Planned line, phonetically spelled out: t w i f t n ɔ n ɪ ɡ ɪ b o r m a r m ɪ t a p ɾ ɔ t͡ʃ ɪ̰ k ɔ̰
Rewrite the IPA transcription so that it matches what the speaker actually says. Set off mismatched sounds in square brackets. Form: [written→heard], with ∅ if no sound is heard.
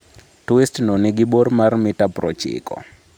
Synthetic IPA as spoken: t w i [f→s] t n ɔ n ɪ ɡ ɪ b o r m a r m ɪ t a p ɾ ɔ t͡ʃ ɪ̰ k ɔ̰